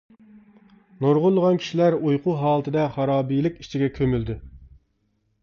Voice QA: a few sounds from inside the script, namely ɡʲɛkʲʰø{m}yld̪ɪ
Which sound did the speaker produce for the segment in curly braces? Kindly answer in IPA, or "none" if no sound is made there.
m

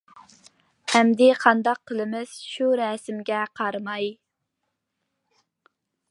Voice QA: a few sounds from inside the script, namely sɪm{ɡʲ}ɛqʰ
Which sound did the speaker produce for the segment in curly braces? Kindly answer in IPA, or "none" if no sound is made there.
ɡʲ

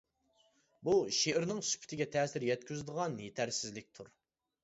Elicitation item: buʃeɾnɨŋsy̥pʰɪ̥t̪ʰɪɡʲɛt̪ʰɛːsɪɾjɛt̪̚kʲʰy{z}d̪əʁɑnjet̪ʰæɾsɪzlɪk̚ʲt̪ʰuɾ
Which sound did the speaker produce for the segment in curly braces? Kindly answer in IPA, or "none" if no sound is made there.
z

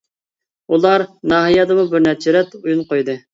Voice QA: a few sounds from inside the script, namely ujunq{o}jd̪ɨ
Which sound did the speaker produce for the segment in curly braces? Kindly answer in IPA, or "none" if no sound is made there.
o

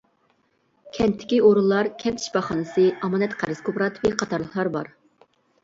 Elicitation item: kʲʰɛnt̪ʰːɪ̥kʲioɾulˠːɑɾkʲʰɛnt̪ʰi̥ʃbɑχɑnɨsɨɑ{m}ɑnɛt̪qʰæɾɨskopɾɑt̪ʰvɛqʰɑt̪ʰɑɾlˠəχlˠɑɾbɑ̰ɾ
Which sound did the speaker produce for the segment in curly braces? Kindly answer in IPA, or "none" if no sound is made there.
m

